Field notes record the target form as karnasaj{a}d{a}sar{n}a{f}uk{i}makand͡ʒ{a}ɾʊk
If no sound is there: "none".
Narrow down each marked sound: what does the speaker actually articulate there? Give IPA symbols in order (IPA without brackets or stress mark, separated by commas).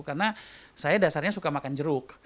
a, a, ɲ, s, a, ə